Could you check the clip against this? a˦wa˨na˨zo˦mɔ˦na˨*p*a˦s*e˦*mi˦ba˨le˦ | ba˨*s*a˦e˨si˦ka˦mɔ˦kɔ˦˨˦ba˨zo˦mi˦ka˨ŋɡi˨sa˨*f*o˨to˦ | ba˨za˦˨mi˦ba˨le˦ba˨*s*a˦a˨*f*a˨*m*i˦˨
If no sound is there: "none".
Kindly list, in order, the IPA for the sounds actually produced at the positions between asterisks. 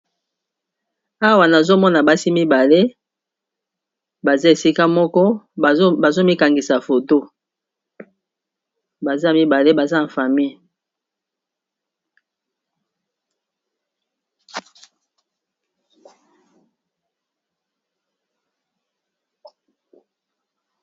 b, i˦, z, f, z, f, m

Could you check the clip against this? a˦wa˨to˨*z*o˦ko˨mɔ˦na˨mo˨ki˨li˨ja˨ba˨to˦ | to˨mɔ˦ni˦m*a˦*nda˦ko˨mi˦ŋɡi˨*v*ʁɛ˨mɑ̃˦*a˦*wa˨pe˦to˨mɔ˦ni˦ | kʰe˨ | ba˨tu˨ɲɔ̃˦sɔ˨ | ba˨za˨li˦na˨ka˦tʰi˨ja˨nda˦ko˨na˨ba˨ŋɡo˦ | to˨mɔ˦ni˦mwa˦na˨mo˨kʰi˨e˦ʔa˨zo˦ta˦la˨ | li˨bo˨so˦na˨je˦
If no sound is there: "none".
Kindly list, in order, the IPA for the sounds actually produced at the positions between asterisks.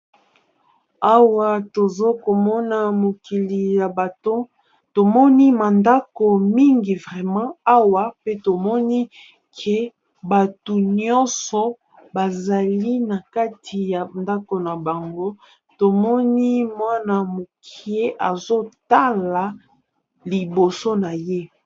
z, a˨, v, a˦

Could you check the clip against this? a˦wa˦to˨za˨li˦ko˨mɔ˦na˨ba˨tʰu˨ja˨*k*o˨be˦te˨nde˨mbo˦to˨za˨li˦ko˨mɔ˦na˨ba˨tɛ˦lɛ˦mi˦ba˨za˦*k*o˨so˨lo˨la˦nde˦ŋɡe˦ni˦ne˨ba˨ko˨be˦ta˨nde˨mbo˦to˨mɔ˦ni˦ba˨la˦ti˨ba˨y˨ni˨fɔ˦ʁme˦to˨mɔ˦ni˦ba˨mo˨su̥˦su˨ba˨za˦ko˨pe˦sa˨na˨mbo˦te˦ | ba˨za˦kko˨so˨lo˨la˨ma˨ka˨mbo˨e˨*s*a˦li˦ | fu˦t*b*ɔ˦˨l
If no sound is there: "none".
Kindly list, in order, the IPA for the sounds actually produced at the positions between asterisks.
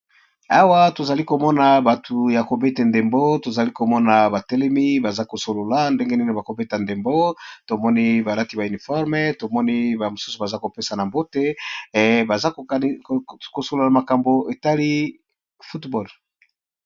k, k, t, b

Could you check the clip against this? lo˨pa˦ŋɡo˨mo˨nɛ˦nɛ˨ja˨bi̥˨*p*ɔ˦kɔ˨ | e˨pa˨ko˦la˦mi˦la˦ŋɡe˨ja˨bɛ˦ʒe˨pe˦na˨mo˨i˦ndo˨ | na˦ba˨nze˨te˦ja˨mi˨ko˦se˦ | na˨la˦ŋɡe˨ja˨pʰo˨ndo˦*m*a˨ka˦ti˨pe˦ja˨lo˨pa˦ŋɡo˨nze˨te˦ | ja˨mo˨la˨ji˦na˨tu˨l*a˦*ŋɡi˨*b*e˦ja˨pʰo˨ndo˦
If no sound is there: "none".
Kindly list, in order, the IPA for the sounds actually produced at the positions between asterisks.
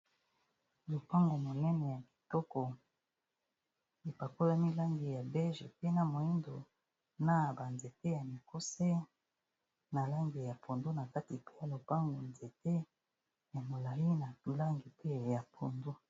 t, n, a˦, p

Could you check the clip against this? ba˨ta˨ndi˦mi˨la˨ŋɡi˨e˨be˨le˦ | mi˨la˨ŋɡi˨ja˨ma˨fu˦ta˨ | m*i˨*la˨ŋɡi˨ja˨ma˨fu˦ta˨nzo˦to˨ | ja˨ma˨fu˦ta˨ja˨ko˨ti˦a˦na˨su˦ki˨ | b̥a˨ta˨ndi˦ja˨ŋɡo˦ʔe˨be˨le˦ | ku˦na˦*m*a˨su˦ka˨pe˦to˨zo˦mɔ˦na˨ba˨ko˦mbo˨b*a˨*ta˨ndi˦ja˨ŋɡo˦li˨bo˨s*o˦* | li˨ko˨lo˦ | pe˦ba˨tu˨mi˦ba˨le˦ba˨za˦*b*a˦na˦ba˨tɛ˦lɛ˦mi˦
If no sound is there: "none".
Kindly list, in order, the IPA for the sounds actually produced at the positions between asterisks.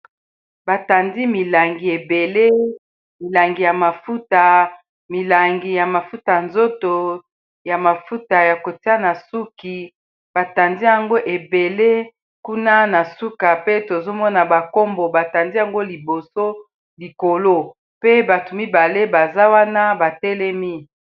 i˨, n, a˨, o˦, w

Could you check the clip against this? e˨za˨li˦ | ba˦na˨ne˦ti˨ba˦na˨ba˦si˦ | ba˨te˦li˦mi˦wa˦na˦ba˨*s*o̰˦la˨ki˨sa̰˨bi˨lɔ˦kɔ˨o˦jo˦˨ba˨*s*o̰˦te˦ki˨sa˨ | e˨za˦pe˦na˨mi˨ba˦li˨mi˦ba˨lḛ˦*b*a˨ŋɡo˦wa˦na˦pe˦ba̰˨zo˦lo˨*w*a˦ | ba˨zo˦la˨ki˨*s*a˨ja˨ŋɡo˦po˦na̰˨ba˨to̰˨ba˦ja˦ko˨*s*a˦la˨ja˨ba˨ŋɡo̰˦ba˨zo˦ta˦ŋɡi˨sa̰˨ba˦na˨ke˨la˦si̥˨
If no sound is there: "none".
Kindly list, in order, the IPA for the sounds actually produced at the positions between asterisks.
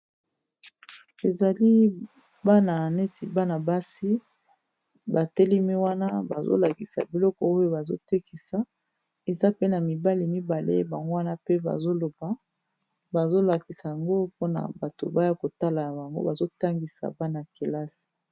z, z, b, b, s, t

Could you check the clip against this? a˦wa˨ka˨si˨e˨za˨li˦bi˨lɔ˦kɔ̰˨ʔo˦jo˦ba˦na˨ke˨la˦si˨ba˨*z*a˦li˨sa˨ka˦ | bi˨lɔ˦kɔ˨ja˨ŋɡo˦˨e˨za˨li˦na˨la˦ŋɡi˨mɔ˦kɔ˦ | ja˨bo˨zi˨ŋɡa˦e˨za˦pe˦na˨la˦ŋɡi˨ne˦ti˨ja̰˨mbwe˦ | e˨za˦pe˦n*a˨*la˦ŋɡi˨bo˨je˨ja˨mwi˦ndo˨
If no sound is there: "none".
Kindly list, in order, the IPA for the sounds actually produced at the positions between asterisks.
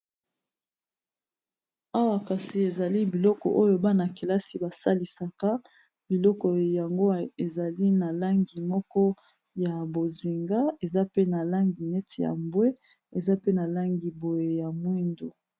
s, a˨

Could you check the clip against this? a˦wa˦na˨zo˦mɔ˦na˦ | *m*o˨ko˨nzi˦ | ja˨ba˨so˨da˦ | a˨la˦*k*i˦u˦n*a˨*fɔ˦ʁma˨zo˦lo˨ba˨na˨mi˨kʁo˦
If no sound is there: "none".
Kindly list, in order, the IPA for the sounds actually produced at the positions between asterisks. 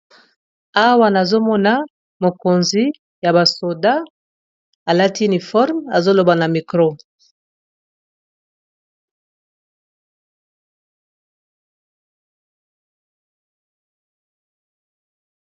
m, t, i˨

